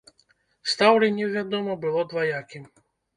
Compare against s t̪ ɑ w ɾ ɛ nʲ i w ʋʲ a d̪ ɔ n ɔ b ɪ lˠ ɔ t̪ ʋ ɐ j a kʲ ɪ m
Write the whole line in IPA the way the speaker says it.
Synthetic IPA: s t̪ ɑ w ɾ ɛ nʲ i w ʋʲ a d̪ ɔ m ɔ b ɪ lˠ ɔ d̪ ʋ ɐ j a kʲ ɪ m